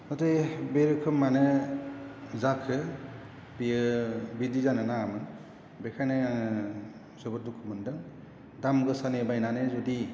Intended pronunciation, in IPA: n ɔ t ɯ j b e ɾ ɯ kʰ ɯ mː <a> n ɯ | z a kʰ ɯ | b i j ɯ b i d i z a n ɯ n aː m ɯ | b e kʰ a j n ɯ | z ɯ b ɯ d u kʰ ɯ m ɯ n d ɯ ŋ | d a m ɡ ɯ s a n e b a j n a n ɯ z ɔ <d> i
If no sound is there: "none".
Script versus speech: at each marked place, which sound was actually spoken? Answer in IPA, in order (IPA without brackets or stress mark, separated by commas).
a, d